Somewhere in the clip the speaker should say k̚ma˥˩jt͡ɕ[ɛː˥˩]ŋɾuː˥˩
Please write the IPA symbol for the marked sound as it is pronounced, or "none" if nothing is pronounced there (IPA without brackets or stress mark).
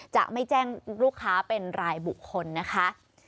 ɛː˥˩